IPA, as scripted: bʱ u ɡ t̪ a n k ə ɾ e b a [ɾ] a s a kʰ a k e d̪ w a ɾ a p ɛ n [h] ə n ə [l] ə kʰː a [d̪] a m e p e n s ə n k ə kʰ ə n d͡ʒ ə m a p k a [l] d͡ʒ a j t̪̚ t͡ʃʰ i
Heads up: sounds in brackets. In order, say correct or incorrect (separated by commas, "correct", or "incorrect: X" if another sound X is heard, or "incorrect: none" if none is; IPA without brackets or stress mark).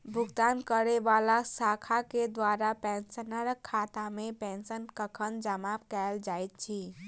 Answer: incorrect: l, incorrect: s, incorrect: ɾ, incorrect: t̪, correct